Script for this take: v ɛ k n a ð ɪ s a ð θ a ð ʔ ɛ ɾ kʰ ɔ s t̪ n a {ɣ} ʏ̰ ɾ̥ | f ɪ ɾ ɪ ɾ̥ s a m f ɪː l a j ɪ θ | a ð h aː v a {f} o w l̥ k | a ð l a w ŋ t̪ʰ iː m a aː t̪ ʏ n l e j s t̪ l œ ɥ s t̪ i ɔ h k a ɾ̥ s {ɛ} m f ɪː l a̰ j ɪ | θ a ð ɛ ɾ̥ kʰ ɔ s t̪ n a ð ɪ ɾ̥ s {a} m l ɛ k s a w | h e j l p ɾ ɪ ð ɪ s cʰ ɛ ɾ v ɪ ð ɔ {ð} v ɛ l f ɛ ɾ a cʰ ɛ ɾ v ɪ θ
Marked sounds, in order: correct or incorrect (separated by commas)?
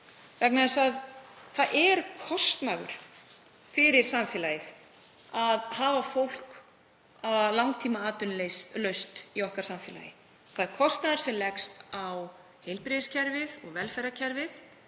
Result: correct, correct, incorrect, incorrect, incorrect